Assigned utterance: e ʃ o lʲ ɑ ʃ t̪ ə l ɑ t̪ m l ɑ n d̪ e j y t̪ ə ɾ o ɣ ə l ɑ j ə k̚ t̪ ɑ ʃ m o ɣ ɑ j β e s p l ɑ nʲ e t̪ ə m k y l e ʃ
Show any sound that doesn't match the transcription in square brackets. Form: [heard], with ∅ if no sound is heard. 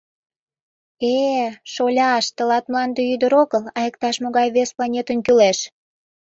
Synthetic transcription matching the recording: e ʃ o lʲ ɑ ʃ t̪ ə l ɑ t̪ m l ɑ n d̪ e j y [d̪] ə ɾ o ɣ ə l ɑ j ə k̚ t̪ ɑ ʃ m o ɣ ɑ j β e s p l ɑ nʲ e t̪ ə [n] k y l e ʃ